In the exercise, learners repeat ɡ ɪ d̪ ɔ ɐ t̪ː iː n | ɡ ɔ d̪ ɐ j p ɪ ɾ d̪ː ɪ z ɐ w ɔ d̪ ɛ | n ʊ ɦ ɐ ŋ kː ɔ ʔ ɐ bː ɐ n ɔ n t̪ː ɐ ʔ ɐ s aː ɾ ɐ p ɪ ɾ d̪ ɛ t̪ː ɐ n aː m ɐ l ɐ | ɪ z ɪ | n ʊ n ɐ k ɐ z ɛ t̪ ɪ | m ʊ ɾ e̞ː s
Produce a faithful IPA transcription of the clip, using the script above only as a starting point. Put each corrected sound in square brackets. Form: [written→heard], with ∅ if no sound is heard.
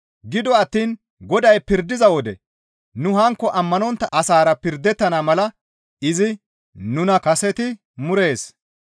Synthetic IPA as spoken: ɡ ɪ d̪ ɔ ɐ t̪ː iː n | ɡ ɔ d̪ ɐ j p ɪ ɾ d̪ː ɪ z ɐ w ɔ d̪ ɛ | n ʊ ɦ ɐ ŋ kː ɔ ʔ ɐ [bː→mː] ɐ n ɔ n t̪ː ɐ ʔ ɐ s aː ɾ ɐ p ɪ ɾ d̪ ɛ t̪ː ɐ n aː m ɐ l ɐ | ɪ z ɪ | n ʊ n ɐ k ɐ [z→s] ɛ t̪ ɪ | m ʊ ɾ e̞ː s

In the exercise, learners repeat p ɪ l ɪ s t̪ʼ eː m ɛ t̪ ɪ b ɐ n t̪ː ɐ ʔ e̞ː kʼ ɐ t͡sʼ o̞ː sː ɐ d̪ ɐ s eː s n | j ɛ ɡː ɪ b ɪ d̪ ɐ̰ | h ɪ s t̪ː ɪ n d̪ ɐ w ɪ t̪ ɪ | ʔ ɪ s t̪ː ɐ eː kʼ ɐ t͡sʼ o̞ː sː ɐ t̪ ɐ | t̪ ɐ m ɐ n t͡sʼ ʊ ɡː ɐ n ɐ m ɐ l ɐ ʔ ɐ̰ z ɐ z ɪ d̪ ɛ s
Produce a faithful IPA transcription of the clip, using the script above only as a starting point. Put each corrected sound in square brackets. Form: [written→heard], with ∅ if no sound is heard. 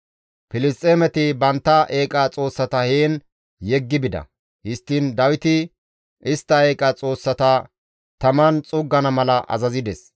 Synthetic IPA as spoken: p ɪ l ɪ s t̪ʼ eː m ɛ t̪ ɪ b ɐ n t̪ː ɐ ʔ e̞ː kʼ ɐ t͡sʼ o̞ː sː ɐ [d̪→t̪] ɐ [s→h] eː [s→∅] n | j ɛ ɡː ɪ b ɪ d̪ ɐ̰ | h ɪ s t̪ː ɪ n d̪ ɐ w ɪ t̪ ɪ | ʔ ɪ s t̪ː ɐ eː kʼ ɐ t͡sʼ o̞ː sː ɐ t̪ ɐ | t̪ ɐ m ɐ n t͡sʼ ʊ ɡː ɐ n ɐ m ɐ l ɐ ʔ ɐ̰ z ɐ z ɪ d̪ ɛ s

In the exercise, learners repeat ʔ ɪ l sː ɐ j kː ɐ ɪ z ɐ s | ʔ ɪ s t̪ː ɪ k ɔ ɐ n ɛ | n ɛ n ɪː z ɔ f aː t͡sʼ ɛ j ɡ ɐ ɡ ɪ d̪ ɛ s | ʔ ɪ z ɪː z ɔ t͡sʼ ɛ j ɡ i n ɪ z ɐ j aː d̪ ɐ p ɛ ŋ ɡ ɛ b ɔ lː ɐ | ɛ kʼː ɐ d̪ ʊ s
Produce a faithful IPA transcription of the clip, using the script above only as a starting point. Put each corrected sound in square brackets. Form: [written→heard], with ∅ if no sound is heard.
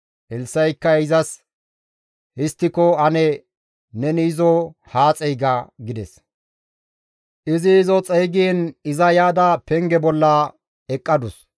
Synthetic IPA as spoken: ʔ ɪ l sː ɐ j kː ɐ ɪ z ɐ s | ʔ ɪ s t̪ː ɪ k ɔ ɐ n ɛ | n ɛ n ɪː z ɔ [f→h] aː t͡sʼ ɛ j ɡ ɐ ɡ ɪ d̪ ɛ s | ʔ ɪ z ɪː z ɔ t͡sʼ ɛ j ɡ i n ɪ z ɐ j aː d̪ ɐ p ɛ ŋ ɡ ɛ b ɔ lː ɐ | ɛ kʼː ɐ d̪ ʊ s

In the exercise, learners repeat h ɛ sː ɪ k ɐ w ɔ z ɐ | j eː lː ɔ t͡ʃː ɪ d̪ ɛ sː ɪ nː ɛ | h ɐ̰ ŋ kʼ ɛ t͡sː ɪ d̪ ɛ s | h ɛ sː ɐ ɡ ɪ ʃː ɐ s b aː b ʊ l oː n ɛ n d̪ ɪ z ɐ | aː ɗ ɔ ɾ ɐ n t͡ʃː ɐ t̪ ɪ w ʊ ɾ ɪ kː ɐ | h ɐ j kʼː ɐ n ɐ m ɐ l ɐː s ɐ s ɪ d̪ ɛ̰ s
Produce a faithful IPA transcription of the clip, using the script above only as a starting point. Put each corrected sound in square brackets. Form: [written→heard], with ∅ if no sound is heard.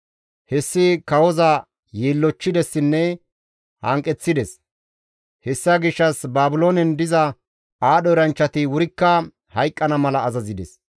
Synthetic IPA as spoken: h ɛ sː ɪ k ɐ w ɔ z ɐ | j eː lː ɔ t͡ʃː ɪ d̪ ɛ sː ɪ nː ɛ | h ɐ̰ ŋ kʼ ɛ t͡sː ɪ d̪ ɛ s | h ɛ sː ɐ ɡ ɪ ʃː ɐ s b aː b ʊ l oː n ɛ n d̪ ɪ z ɐ | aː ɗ ɔ ɾ ɐ n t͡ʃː ɐ t̪ ɪ w ʊ ɾ ɪ kː ɐ | h ɐ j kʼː ɐ n ɐ m ɐ l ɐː [s→z] ɐ [s→z] ɪ d̪ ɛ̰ s

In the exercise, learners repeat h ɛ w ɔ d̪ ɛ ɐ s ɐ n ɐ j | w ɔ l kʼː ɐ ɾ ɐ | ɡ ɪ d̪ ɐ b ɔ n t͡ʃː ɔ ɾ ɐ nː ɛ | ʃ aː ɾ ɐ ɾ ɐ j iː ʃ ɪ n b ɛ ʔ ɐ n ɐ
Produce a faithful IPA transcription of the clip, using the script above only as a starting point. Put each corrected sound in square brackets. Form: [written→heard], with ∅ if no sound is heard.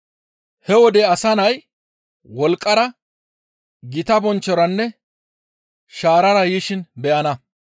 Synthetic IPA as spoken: h ɛ w ɔ d̪ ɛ ɐ s ɐ n ɐ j | w ɔ l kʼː ɐ ɾ ɐ | ɡ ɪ [d̪→t̪] ɐ b ɔ n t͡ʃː ɔ ɾ ɐ nː ɛ | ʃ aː ɾ ɐ ɾ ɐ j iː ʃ ɪ n b ɛ ʔ ɐ n ɐ

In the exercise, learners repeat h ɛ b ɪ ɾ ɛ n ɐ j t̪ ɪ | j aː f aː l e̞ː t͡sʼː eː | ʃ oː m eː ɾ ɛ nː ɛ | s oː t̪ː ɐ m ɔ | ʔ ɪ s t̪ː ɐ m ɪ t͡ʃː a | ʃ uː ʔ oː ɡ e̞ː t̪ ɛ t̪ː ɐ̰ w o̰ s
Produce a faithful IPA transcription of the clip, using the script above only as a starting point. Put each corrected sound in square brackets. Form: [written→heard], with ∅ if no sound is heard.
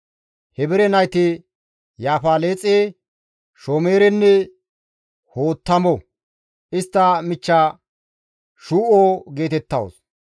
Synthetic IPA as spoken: h ɛ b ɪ ɾ ɛ n ɐ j t̪ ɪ | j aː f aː l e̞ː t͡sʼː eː | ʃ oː m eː ɾ ɛ nː ɛ | [s→h] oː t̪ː ɐ m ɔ | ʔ ɪ s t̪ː ɐ m ɪ t͡ʃː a | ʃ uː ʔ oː ɡ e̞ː t̪ ɛ t̪ː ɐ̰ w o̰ s

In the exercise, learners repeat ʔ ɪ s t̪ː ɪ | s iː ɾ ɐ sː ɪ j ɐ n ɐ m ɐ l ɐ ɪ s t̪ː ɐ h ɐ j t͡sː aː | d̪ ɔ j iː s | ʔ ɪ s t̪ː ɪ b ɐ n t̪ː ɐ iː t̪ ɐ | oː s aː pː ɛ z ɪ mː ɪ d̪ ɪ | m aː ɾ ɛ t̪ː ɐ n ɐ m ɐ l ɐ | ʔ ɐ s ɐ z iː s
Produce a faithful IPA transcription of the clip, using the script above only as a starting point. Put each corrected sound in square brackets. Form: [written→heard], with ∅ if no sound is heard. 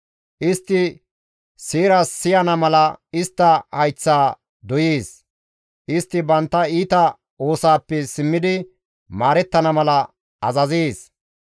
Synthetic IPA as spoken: ʔ ɪ s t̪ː ɪ | s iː ɾ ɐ sː ɪ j ɐ n ɐ m ɐ l ɐ ɪ s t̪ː ɐ h ɐ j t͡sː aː | d̪ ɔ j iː s | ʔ ɪ s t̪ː ɪ b ɐ n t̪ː ɐ iː t̪ ɐ | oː s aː pː ɛ [z→s] ɪ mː ɪ d̪ ɪ | m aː ɾ ɛ t̪ː ɐ n ɐ m ɐ l ɐ | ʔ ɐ [s→z] ɐ z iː s

